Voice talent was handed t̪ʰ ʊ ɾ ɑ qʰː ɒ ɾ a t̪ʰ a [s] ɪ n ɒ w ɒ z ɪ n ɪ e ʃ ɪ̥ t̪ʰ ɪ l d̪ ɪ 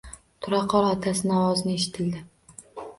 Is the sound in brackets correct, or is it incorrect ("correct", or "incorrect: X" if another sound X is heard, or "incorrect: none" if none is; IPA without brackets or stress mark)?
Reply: correct